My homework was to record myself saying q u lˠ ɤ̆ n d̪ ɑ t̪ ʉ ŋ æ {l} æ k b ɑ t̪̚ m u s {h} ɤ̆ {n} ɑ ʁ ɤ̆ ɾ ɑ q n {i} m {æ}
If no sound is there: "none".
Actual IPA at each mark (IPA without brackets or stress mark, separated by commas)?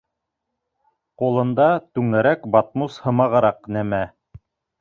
ɾ, h, m, æ, æ